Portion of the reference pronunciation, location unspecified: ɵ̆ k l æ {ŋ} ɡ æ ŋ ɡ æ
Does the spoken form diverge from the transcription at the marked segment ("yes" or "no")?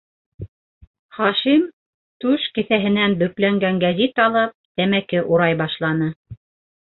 no